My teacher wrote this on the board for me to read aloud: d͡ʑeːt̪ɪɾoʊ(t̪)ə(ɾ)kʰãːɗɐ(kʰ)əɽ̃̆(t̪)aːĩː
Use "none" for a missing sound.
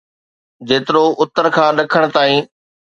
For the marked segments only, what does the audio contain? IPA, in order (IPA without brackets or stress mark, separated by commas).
t̪, ɾ, kʰ, t̪